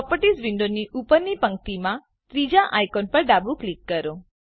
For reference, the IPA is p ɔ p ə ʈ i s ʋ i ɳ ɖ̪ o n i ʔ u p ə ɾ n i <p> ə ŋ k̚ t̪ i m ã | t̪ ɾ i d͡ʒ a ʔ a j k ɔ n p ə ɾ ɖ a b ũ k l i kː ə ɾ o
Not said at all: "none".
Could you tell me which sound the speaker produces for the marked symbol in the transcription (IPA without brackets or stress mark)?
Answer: p